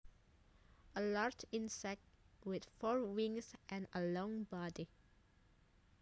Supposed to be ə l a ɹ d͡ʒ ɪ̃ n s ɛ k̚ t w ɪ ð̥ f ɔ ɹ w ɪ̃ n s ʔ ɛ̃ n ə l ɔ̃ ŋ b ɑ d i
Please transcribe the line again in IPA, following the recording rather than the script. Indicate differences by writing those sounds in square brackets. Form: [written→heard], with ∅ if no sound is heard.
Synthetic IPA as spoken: ə l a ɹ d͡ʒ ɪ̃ n s ɛ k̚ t w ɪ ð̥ f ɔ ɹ w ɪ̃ [n→ŋ] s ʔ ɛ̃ n ə l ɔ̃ ŋ b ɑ d i